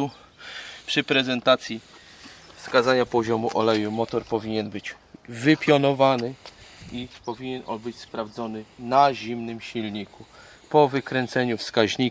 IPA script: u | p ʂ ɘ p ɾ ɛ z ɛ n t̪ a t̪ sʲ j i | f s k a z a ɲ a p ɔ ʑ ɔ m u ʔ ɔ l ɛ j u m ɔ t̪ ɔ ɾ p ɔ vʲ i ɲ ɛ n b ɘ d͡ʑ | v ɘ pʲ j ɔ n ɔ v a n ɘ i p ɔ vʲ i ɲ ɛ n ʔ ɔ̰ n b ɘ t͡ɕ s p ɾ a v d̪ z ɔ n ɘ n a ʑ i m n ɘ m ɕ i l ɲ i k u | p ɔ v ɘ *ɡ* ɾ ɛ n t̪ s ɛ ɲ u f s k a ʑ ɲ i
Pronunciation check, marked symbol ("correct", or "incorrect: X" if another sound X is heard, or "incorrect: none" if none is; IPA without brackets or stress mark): incorrect: k